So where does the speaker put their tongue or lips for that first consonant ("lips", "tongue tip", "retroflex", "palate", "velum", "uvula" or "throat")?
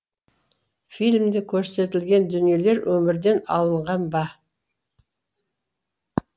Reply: lips